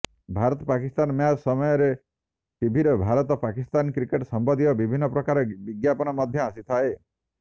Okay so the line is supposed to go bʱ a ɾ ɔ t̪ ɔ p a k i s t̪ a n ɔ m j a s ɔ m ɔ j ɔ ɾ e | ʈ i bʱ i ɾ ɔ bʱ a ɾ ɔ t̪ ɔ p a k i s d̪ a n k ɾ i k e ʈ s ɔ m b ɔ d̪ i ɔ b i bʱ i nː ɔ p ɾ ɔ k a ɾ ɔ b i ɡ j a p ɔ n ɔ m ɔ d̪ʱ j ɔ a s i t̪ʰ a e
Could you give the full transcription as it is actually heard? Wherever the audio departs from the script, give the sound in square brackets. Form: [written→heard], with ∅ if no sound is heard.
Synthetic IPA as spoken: bʱ a ɾ ɔ t̪ ɔ p a k i s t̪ a n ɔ m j a s ɔ m ɔ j ɔ ɾ e | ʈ i bʱ i ɾ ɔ bʱ a ɾ ɔ t̪ ɔ p a k i s [d̪→t̪] a n k ɾ i k e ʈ s ɔ m b ɔ d̪ i ɔ b i bʱ i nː ɔ p ɾ ɔ k a ɾ ɔ b i ɡ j a p ɔ n ɔ m ɔ d̪ʱ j ɔ a s i t̪ʰ a e